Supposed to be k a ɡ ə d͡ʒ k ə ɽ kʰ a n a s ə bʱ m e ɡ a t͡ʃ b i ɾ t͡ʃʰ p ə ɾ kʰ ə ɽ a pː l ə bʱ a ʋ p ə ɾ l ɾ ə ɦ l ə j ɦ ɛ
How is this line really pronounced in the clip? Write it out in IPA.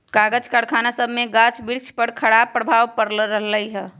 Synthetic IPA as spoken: k a ɡ ə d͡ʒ k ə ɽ kʰ a n a s ə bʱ m e ɡ a t͡ʃ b i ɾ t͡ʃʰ p ə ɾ kʰ ə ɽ a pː ɾ ə bʱ a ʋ p ə ɾ l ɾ ə ɦ l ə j ɦ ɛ